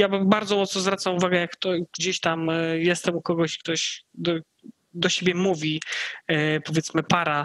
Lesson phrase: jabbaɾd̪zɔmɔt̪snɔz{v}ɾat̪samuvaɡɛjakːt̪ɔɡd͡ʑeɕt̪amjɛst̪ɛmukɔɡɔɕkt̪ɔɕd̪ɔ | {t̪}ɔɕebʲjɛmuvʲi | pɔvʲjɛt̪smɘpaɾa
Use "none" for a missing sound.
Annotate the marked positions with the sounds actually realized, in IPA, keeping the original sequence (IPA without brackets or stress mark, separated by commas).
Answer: v, d̪